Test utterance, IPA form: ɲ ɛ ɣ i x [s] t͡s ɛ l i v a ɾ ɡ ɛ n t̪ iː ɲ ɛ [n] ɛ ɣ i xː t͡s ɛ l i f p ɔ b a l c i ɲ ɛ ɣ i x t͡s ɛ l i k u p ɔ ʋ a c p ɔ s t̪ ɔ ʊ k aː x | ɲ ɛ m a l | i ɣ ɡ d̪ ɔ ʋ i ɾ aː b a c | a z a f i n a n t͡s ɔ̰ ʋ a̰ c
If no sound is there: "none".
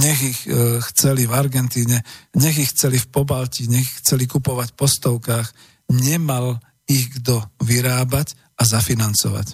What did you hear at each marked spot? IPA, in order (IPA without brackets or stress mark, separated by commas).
x, ɲ